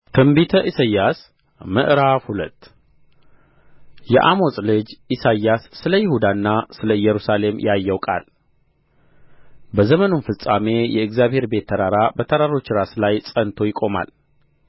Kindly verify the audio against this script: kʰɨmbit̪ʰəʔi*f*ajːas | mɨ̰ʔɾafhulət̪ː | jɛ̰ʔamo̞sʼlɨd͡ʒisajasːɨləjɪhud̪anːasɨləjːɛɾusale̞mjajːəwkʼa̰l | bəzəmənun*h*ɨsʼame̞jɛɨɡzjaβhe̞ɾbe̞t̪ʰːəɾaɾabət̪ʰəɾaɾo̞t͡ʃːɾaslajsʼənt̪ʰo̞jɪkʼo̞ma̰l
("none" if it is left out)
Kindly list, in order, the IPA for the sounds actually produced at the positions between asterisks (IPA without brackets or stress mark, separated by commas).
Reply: s, f